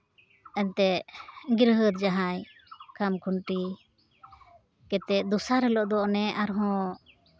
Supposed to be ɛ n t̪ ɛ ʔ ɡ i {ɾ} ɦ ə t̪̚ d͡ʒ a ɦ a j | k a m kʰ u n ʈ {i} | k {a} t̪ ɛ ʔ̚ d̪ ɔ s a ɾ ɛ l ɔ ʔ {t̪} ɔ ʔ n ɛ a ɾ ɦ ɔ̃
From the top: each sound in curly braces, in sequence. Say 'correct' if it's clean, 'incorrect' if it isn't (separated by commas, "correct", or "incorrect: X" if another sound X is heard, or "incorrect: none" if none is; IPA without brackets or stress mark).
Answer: correct, correct, incorrect: ɛ, incorrect: d̪